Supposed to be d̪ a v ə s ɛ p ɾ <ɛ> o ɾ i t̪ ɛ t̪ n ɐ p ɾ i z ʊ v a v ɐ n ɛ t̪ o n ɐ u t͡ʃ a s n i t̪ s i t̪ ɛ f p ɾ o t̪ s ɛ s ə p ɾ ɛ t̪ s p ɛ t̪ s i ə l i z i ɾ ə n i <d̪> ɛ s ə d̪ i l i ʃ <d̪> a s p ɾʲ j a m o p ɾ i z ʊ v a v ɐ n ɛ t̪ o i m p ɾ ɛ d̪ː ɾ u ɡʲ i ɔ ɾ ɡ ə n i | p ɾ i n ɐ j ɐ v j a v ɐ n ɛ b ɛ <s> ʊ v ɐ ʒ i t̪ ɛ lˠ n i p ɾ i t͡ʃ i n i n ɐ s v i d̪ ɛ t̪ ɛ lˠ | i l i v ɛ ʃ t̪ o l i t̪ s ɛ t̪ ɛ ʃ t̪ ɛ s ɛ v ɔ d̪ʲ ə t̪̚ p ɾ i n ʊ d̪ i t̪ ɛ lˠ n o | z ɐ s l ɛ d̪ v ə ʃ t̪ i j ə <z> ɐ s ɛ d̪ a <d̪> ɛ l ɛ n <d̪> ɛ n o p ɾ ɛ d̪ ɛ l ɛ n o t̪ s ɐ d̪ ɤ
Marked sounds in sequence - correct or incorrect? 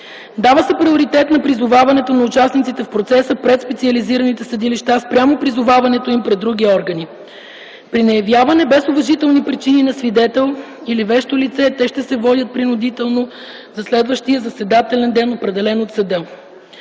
incorrect, incorrect, incorrect, correct, correct, incorrect, correct

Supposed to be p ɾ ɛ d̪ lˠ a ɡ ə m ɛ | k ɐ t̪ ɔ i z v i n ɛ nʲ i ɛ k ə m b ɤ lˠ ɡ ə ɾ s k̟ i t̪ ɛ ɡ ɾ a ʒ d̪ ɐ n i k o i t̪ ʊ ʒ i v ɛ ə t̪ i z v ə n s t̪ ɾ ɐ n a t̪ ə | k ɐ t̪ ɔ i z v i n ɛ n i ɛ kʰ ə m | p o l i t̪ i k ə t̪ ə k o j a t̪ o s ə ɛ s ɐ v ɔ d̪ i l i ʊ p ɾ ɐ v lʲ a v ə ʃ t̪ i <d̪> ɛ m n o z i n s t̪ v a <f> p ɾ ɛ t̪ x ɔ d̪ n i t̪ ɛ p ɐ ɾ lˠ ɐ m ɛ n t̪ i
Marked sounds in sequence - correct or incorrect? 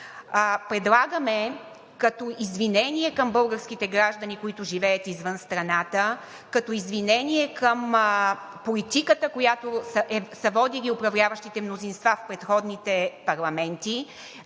incorrect, correct

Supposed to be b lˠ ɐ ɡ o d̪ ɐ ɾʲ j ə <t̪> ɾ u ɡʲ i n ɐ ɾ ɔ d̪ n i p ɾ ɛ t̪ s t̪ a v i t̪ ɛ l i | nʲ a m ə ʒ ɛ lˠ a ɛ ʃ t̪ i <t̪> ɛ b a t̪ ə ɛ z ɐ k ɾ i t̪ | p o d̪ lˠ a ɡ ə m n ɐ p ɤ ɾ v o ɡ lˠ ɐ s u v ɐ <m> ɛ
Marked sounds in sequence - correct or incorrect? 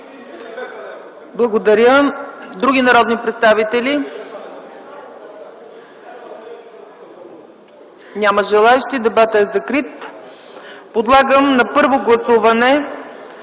incorrect, incorrect, incorrect

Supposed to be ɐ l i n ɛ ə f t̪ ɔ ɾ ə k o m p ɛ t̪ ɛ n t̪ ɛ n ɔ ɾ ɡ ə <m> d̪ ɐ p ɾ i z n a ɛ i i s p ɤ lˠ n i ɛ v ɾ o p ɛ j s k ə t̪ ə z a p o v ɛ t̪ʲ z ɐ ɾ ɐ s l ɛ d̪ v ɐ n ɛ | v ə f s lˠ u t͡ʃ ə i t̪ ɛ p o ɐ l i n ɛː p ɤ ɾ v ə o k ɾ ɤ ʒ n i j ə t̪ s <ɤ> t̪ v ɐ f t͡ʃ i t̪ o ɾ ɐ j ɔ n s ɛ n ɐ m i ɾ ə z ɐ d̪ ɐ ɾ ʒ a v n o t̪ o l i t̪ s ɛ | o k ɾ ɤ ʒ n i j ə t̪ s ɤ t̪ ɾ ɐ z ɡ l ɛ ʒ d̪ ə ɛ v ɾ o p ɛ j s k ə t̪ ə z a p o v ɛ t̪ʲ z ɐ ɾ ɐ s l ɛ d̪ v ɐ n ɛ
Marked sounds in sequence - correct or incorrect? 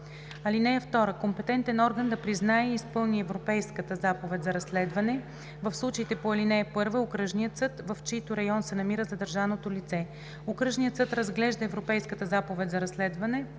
incorrect, correct

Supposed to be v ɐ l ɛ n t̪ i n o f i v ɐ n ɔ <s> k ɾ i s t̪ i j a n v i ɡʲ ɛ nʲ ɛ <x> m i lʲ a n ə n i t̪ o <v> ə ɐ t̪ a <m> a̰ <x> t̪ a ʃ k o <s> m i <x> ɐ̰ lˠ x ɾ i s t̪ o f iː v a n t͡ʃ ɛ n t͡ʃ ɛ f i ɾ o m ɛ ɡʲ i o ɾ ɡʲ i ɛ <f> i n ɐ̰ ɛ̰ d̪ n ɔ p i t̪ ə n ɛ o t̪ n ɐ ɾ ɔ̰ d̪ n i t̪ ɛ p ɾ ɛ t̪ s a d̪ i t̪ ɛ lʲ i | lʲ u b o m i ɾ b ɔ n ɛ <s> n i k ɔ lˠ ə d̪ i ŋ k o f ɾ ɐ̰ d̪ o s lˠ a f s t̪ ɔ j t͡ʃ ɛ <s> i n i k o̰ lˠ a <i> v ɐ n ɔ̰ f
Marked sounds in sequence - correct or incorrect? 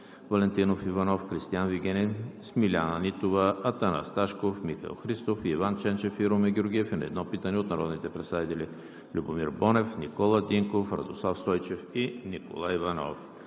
incorrect, incorrect, correct, incorrect, incorrect, incorrect, correct, correct, incorrect, incorrect, correct

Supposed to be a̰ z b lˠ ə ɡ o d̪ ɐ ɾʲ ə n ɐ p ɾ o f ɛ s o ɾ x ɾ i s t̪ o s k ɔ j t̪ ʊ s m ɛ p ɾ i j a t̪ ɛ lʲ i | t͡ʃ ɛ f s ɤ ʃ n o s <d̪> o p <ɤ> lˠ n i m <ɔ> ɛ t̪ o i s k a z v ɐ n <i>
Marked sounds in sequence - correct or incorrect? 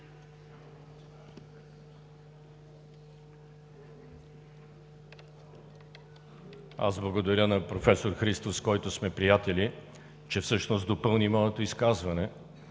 correct, correct, correct, incorrect

